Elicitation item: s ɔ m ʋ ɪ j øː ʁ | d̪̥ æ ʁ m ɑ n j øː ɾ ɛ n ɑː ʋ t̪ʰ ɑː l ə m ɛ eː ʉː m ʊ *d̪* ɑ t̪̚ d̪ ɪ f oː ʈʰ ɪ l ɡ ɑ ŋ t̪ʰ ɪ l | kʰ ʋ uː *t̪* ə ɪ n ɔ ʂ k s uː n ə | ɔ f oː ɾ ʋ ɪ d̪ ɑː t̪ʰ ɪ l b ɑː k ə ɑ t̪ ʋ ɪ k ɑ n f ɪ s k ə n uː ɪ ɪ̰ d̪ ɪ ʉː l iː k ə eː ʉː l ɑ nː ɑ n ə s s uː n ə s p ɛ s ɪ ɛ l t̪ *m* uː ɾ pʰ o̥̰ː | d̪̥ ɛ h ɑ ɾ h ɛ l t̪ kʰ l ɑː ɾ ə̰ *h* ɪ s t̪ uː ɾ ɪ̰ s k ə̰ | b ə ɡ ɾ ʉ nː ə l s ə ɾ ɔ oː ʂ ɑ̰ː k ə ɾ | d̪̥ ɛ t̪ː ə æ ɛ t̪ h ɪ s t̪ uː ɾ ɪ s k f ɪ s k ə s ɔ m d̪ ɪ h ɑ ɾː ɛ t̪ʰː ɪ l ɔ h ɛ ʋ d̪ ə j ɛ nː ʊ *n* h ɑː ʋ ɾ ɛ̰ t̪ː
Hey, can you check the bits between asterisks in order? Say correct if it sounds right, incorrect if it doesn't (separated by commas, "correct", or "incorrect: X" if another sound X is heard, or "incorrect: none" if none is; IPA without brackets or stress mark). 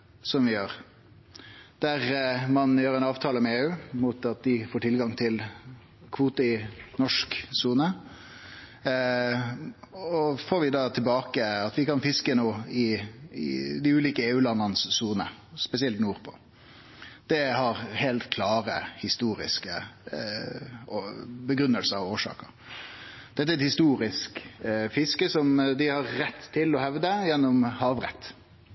incorrect: t̪, correct, incorrect: n, correct, incorrect: m